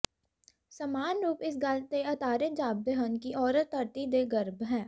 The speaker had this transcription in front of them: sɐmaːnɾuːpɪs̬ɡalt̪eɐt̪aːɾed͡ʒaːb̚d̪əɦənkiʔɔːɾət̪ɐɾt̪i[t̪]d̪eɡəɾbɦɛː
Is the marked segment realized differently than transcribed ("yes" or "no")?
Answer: yes